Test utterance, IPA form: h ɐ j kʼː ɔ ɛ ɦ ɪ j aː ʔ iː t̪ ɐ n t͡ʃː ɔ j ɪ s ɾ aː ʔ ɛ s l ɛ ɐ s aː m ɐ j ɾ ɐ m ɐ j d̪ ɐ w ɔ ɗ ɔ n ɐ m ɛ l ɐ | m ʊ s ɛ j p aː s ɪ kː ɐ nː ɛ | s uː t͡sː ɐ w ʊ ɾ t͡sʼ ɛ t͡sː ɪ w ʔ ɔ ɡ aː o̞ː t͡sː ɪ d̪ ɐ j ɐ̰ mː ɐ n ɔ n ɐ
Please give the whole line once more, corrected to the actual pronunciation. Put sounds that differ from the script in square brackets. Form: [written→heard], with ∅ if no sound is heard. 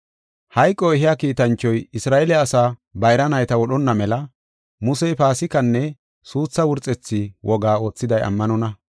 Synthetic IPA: h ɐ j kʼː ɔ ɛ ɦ ɪ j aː [ʔ→k] iː t̪ ɐ n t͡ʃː ɔ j ɪ s ɾ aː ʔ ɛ [s→∅] l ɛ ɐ s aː [m→b] ɐ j ɾ ɐ [m→n] ɐ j [d̪→t̪] ɐ w ɔ ɗ ɔ [n→nː] ɐ m ɛ l ɐ | m ʊ s ɛ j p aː s ɪ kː ɐ nː ɛ | s uː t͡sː ɐ w ʊ ɾ t͡sʼ ɛ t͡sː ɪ w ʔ ɔ ɡ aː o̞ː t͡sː ɪ d̪ ɐ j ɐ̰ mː ɐ n ɔ n ɐ